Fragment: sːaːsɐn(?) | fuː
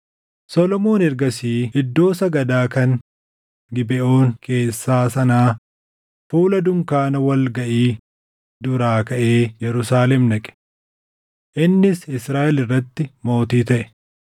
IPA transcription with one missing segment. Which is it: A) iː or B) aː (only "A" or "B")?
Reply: B